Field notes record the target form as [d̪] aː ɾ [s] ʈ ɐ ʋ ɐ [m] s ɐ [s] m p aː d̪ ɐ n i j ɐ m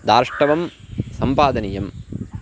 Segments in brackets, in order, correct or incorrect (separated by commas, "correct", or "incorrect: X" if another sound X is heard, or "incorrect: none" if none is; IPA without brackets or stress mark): correct, incorrect: ʂ, correct, incorrect: none